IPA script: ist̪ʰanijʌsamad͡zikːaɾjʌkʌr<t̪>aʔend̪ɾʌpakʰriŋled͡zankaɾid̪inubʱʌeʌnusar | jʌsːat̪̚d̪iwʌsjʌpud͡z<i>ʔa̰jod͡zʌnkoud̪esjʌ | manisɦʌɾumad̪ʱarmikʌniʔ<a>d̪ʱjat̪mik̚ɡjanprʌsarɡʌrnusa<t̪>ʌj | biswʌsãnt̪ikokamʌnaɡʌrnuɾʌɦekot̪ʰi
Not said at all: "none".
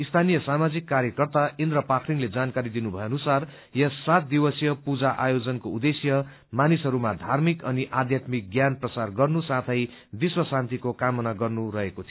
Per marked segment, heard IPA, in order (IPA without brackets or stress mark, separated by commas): t̪, a, a, t̪ʰ